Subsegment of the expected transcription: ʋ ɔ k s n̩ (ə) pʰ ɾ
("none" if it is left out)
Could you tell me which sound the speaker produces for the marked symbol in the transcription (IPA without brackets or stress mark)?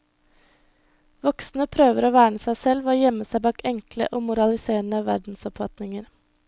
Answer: ə